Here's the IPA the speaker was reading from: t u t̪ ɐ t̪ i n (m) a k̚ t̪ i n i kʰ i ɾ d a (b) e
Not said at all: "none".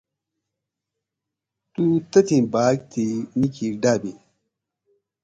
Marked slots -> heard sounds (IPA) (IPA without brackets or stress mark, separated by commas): b, b